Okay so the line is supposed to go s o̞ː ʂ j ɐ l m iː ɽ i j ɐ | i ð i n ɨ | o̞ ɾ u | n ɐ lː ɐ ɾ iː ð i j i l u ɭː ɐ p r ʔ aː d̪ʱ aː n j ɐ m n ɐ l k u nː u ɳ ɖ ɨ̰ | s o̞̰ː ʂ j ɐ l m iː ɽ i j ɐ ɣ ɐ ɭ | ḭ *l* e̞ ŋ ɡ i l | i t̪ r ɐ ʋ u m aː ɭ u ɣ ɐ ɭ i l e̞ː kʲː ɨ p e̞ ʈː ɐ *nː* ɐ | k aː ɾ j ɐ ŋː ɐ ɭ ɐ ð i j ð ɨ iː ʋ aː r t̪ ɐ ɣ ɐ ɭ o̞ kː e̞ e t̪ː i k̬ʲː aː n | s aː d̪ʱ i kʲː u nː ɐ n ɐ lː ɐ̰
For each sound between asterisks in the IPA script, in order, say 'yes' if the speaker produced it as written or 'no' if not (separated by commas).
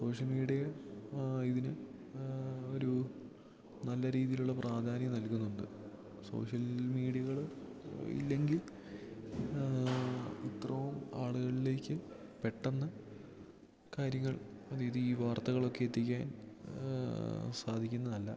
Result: no, yes